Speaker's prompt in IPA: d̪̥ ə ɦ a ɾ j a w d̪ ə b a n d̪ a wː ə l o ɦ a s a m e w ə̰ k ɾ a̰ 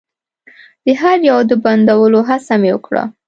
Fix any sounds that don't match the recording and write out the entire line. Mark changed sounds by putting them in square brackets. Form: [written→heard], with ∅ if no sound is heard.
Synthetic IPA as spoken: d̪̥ ə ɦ a ɾ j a w d̪ ə b a n d̪ a [wː→w] ə l o ɦ a s a m e w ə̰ k [ɾ→ɽ] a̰